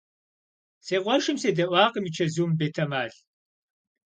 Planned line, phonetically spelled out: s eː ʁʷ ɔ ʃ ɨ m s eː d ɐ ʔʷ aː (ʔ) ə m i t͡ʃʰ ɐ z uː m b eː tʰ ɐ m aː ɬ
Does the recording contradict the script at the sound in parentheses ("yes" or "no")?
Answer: yes